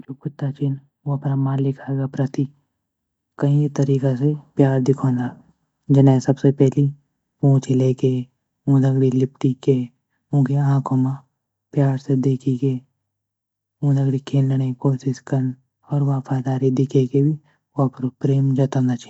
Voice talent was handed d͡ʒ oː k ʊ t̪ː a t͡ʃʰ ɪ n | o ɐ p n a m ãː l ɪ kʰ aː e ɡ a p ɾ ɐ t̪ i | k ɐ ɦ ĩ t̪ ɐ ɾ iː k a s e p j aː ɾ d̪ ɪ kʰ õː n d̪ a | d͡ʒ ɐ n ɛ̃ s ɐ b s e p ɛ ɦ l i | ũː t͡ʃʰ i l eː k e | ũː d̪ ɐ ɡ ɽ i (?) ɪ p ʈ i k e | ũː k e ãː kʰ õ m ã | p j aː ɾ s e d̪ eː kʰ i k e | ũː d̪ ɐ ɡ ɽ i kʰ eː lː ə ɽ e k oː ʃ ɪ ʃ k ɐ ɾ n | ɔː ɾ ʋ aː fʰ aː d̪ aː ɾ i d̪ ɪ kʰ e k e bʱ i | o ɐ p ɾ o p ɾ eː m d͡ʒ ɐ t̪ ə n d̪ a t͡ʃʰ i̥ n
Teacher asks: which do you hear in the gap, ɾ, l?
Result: l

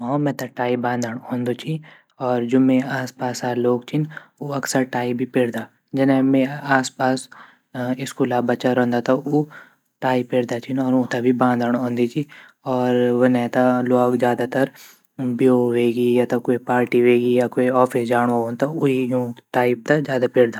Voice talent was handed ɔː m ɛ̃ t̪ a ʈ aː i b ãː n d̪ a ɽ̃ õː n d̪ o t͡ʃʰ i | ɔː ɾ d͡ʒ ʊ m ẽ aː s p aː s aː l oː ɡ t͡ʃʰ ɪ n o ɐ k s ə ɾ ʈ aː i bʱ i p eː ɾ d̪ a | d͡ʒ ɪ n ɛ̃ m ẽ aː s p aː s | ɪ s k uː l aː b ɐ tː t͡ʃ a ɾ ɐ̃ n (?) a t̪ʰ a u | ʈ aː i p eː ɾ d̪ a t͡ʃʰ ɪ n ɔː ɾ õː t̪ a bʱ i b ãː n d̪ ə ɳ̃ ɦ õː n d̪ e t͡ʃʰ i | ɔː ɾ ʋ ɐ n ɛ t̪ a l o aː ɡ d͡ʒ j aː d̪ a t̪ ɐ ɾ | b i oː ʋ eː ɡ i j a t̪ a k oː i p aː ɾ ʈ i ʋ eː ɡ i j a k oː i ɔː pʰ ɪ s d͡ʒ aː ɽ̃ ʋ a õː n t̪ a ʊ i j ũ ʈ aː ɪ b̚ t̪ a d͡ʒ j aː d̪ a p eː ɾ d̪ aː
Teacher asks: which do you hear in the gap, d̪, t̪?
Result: d̪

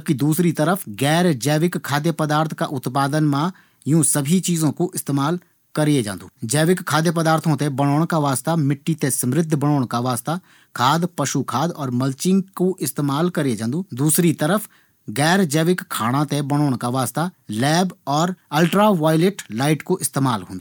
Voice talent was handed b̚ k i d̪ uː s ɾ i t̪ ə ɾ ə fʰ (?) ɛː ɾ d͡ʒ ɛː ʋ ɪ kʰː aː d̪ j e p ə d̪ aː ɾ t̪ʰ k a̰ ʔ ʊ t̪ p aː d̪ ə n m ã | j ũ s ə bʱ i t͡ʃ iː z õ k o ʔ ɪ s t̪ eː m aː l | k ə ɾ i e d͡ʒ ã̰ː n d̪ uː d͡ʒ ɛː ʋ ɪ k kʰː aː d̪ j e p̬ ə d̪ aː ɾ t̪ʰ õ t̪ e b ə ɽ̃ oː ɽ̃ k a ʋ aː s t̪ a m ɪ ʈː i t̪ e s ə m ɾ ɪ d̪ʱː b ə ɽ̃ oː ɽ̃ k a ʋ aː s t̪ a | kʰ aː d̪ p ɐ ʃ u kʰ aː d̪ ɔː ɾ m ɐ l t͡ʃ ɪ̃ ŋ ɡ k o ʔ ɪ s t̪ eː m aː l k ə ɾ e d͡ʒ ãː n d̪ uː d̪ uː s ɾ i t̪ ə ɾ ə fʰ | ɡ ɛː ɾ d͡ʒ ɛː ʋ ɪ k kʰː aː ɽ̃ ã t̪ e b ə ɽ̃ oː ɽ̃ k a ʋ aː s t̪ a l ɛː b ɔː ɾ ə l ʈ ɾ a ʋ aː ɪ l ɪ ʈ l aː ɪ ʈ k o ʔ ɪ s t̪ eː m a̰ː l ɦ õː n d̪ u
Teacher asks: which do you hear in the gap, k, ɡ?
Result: ɡ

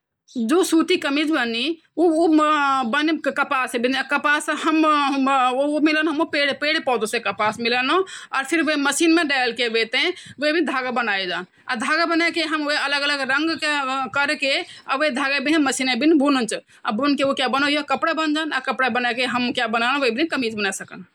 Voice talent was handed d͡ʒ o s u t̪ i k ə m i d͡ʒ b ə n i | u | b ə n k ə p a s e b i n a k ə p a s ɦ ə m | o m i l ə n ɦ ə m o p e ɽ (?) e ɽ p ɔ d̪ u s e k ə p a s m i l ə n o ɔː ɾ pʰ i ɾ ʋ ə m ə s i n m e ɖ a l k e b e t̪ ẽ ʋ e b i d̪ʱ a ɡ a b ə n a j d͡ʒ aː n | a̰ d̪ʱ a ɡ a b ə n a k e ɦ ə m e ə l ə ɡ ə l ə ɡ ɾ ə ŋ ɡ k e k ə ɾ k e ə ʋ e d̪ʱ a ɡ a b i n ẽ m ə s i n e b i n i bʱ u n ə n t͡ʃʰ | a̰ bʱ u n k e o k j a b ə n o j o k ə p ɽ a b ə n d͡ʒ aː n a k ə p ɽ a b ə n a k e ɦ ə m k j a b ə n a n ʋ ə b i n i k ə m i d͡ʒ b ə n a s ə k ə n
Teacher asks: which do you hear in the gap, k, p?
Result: p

